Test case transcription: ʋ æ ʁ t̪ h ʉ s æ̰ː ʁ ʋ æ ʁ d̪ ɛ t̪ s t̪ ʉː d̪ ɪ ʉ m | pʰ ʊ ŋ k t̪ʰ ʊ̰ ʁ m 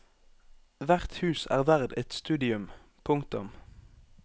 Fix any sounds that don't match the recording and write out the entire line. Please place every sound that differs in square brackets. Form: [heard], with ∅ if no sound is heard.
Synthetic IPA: ʋ æ ʁ t̪ h [ʉː] s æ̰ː ʁ ʋ æ ʁ d̪ ɛ t̪ s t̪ ʉː d̪ ɪ ʉ m | pʰ ʊ ŋ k [t̪] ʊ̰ [∅] m

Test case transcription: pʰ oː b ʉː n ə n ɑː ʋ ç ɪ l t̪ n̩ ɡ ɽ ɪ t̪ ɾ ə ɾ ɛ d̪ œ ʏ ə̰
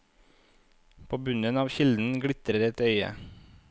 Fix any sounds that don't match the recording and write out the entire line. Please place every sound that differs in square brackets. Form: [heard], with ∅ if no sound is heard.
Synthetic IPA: pʰ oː b [ʉ] n ə n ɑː ʋ ç ɪ l [d̪] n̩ ɡ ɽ ɪ t̪ ɾ ə ɾ ɛ [t̪] œ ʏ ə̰

